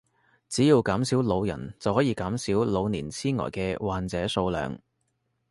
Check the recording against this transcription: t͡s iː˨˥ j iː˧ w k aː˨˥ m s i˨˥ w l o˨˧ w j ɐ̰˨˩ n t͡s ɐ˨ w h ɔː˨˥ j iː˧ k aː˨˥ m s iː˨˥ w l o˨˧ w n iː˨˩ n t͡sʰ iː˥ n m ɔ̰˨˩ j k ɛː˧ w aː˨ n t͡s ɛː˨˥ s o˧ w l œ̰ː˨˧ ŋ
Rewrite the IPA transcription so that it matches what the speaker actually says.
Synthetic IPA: t͡s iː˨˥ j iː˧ w k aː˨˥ m s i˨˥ w l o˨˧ w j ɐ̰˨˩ n t͡s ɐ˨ w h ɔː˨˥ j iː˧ k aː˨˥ m s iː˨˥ w l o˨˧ w n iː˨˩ n t͡sʰ iː˥ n ŋ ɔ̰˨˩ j k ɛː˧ w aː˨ n t͡s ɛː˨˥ s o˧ w l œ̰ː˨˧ ŋ